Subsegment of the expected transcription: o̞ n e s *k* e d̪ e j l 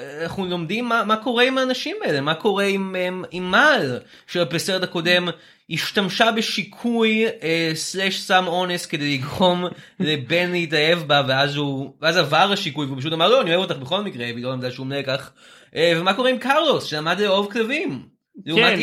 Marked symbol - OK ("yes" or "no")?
yes